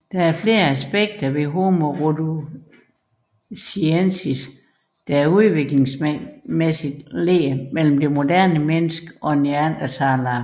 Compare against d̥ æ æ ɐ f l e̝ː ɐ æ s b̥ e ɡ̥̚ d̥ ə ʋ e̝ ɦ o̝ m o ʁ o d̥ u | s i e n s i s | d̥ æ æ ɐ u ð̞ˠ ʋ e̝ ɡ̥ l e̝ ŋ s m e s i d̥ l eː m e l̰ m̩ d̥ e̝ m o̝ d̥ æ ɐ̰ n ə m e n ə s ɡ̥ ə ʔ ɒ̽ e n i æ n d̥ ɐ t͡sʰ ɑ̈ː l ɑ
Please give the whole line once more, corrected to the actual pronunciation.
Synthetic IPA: d̥ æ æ ɐ f l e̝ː ɐ æ s b̥ e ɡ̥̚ d̥ ɐ ʋ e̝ ɦ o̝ m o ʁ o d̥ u | s i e n s i s | d̥ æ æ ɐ u ð̞ˠ ʋ e̝ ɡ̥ l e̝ ŋ s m e s i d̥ l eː m e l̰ m̩ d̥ e̝ m o̝ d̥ æ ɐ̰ n ə m e n ə s ɡ̥ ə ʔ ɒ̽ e n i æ n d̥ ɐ t͡sʰ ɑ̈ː l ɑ

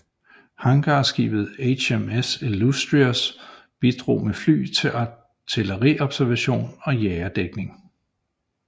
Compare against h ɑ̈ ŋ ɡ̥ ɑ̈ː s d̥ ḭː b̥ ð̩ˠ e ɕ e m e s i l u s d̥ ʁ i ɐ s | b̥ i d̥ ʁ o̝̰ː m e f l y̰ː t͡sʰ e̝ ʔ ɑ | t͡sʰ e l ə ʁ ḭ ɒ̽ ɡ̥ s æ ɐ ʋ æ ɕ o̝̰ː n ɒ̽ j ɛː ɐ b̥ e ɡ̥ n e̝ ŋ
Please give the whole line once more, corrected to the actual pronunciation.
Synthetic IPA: h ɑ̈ ŋ ɡ̥ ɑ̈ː s ɡ̥ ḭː b̥ ð̩ˠ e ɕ e m e s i l u s d̥ ʁ i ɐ s | b̥ i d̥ ʁ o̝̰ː m e f l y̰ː t͡sʰ e̝ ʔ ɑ | t͡sʰ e l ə ʁ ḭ ɒ̽ b̥ s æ ɐ ʋ æ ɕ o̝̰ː n ɒ̽ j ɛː ɐ d̥ e ɡ̥ n e̝ ŋ

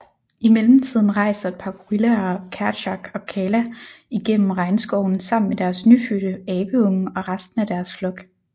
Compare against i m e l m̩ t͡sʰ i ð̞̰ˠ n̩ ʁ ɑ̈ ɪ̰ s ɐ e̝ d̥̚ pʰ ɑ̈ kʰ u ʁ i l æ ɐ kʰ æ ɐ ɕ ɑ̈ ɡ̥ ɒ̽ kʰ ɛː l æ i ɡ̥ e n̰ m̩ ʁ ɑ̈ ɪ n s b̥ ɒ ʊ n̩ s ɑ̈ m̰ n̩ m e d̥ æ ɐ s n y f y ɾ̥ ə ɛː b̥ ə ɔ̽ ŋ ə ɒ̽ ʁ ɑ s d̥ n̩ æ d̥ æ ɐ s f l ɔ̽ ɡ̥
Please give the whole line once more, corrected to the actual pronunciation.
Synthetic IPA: i m e l m̩ t͡sʰ i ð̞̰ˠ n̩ ʁ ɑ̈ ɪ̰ s ɐ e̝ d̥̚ pʰ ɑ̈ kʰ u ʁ i l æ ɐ kʰ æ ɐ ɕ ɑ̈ ɡ̥ ɒ̽ kʰ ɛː l æ i ɡ̥ e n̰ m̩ ʁ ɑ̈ ɪ n s ɡ̥ ɒ ʊ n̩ s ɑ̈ m̰ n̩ m e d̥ æ ɐ s n y f y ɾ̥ ə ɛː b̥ ə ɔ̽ ŋ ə ɒ̽ ʁ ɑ s d̥ n̩ æ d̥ æ ɐ s f l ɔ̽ ɡ̥

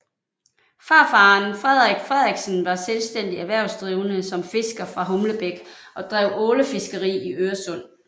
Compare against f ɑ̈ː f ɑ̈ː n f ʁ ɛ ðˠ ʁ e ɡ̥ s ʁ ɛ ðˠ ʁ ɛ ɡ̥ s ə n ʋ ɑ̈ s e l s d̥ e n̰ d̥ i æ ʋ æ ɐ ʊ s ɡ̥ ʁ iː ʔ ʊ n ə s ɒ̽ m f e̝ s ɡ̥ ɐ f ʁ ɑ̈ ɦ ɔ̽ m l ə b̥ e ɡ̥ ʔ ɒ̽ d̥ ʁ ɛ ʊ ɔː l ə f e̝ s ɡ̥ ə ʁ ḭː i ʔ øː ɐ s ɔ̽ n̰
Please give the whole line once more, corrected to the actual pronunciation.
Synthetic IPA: f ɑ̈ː f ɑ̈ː n f ʁ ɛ ðˠ ʁ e ɡ̥ f ʁ ɛ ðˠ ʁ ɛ ɡ̥ s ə n ʋ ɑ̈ s e l s d̥ e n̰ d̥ i æ ʋ æ ɐ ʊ s d̥ ʁ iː ʊ n ə s ɒ̽ m f e̝ s ɡ̥ ɐ f ʁ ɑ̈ ɦ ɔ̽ m l ə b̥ e ɡ̥ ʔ ɒ̽ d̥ ʁ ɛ ʊ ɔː l ə f e̝ s ɡ̥ ə ʁ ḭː i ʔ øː ɐ s ɔ̽ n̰

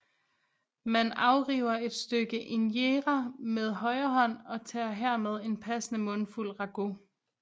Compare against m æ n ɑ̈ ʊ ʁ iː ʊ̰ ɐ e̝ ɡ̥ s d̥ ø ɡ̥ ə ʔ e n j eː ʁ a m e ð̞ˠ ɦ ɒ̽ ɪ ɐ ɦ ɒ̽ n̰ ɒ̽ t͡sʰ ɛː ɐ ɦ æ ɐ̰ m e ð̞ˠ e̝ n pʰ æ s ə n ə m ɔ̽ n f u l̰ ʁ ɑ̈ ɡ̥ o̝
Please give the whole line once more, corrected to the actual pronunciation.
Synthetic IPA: m æ n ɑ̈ ʊ ʁ iː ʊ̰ ɐ e̝ d̥ s d̥ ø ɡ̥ ə ʔ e n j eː ʁ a m e ð̞ˠ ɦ ɒ̽ ɪ ɐ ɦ ɒ̽ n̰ ɒ̽ t͡sʰ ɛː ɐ ɦ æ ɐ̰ m e ð̞ˠ e̝ n pʰ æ s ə n ə m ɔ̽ n f u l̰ ʁ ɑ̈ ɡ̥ o̝

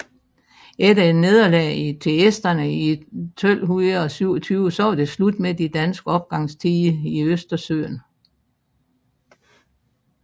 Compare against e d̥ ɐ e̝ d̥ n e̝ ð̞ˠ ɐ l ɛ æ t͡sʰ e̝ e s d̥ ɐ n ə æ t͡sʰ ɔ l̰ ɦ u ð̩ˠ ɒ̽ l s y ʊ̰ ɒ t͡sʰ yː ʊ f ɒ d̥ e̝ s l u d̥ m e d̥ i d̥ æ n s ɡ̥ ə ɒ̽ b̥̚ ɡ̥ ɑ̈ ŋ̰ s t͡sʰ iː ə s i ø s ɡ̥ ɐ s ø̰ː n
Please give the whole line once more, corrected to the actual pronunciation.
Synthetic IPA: e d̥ ɐ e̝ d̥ n e̝ ð̞ˠ ɐ l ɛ i t͡sʰ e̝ e s d̥ ɐ n ə i t͡sʰ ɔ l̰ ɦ u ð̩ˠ ɒ̽ s y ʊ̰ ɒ t͡sʰ yː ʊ s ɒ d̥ e̝ s l u d̥ m e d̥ i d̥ æ n s ɡ̥ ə ɒ̽ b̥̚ ɡ̥ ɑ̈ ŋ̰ s t͡sʰ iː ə i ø s d̥ ɐ s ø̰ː n

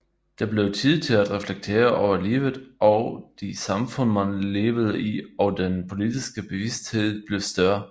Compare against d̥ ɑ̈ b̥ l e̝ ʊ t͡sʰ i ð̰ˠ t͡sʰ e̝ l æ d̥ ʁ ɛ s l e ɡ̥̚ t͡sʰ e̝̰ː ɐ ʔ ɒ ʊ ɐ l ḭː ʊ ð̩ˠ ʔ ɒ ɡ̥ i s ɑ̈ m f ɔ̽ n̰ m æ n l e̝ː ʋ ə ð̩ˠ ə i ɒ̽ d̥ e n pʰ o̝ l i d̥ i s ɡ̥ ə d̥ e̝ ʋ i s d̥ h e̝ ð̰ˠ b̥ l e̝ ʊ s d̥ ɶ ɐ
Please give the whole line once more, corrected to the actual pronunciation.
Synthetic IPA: d̥ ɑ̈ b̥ l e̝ ʊ t͡sʰ i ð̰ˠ t͡sʰ e̝ l æ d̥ ʁ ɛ f l e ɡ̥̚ t͡sʰ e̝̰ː ɐ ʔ ɒ ʊ ɐ l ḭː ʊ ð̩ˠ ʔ ɒ d̥ i s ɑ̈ m f ɔ̽ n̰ m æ n l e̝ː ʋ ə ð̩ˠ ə i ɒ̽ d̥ e n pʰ o̝ l i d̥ i s ɡ̥ ə b̥ e̝ ʋ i s d̥ h e̝ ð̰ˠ b̥ l e̝ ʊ s d̥ ɶ ɐ

